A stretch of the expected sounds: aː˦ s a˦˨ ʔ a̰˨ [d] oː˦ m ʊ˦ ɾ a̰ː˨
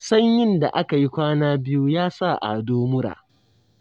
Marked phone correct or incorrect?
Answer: correct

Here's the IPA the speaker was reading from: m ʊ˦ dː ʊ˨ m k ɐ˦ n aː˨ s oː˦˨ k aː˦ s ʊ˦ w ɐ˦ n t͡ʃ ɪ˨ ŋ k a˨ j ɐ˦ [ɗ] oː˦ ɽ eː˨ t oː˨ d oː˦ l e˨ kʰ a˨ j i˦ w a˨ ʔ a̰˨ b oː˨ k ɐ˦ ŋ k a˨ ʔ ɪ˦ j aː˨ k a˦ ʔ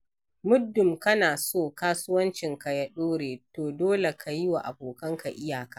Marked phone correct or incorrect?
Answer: correct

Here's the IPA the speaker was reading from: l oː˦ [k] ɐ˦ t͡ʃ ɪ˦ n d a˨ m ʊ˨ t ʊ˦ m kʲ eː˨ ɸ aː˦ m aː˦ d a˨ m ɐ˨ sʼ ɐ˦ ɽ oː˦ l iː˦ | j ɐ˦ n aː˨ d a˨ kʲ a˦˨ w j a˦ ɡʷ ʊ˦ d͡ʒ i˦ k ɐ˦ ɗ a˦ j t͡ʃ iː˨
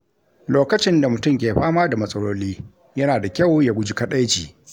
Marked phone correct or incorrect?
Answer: correct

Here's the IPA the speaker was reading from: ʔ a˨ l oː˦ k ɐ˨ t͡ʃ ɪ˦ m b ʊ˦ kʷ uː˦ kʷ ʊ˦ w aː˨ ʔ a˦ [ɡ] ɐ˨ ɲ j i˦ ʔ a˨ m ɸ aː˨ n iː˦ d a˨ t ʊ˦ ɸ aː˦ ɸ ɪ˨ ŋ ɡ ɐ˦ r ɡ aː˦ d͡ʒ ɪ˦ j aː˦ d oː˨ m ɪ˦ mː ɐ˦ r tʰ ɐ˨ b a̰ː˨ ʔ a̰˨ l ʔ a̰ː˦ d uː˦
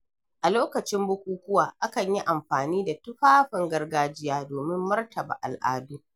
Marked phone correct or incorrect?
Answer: incorrect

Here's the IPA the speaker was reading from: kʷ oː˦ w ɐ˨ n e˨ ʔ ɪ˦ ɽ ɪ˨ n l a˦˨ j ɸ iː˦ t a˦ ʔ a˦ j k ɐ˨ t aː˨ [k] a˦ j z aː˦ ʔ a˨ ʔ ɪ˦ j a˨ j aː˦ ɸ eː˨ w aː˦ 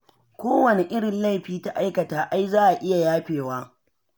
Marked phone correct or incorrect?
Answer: incorrect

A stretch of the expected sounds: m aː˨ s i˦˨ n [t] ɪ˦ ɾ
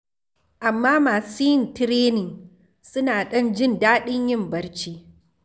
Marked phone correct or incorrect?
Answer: correct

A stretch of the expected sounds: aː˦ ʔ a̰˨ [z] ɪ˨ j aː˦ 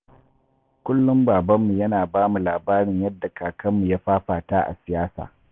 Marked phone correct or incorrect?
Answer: incorrect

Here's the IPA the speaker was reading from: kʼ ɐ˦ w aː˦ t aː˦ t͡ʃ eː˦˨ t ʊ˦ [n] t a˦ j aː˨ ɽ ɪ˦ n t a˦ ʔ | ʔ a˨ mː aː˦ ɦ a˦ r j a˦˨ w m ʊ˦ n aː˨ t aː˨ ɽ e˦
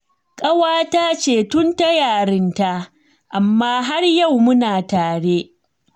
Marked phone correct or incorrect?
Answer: correct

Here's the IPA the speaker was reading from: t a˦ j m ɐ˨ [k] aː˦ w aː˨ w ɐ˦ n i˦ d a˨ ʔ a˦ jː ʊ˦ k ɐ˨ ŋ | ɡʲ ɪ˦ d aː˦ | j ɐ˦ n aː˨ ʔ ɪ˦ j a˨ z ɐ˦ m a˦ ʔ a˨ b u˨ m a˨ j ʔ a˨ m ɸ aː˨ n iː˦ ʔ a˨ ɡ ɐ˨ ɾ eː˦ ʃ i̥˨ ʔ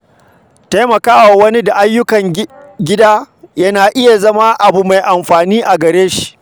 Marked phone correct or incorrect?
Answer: correct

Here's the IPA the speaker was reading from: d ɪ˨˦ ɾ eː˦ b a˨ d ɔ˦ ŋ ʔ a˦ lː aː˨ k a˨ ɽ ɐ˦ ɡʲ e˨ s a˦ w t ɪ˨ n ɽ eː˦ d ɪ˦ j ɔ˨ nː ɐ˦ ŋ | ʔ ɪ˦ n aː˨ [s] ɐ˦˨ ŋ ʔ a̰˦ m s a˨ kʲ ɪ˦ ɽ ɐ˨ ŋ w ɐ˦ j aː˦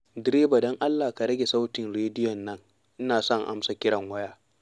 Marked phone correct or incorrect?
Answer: correct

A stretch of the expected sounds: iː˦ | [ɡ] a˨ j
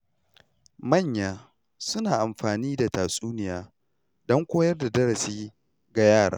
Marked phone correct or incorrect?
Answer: correct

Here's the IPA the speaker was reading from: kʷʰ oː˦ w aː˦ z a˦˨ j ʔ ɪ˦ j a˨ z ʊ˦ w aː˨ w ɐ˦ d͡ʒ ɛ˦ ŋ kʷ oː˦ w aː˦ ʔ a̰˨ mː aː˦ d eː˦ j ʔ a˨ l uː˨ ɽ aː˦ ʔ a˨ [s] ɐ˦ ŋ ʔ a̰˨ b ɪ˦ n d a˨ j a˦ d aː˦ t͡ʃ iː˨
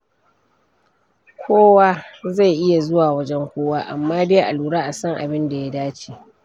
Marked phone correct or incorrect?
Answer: correct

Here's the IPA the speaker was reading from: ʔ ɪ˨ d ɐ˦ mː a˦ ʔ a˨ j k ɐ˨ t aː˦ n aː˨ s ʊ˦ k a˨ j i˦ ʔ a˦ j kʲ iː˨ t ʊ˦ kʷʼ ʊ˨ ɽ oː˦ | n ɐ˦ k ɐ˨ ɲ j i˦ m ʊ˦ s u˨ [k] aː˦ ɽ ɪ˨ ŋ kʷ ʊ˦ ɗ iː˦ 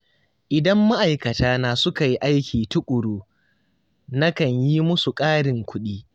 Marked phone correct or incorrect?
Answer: incorrect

